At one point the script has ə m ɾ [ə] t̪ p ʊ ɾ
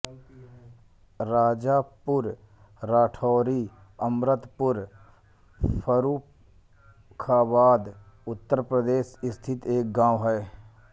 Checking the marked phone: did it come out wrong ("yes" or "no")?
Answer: no